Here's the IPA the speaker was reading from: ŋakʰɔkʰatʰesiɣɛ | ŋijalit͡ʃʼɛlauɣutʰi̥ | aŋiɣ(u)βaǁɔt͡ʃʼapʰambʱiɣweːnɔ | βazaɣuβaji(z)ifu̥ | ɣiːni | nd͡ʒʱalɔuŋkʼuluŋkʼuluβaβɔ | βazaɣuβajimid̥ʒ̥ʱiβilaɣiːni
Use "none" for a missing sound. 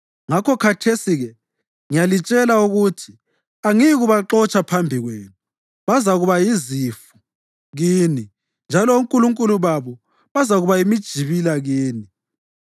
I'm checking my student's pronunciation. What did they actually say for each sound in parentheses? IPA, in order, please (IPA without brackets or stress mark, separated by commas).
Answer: u, z